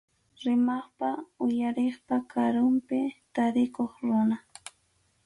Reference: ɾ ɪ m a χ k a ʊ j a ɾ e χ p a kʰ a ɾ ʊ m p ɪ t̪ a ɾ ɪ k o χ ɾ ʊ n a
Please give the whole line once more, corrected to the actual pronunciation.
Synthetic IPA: ɾ ɪ m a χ p a ʊ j a ɾ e χ p a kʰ a ɾ ʊ m p ɪ t̪ a ɾ ɪ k o χ ɾ ʊ n a